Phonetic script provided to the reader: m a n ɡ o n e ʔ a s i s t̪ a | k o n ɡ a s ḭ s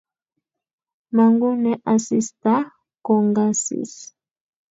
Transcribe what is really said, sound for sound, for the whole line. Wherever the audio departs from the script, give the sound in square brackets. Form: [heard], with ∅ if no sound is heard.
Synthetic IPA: m a [ŋ] ɡ [u] n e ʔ a s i s t̪ a | k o [ŋ] ɡ a s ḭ s